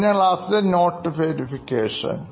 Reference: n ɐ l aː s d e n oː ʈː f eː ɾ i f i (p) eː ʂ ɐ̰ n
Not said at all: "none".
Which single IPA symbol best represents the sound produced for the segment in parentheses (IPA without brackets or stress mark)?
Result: k